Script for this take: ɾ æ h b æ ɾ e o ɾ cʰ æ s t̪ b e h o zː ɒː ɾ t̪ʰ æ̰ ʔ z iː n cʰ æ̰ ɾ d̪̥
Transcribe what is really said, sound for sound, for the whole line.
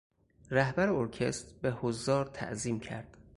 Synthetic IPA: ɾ æ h b æ ɾ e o ɾ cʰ e s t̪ b e h o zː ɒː ɾ t̪ʰ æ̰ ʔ z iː m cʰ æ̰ ɾ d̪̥